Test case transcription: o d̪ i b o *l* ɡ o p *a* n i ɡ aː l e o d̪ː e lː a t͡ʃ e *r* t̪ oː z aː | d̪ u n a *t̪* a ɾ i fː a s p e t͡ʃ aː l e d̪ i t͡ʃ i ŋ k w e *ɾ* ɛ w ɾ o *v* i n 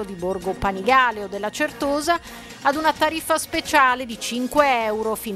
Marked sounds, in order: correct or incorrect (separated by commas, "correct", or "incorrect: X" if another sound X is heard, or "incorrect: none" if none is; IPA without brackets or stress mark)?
incorrect: r, correct, correct, correct, incorrect: none, incorrect: f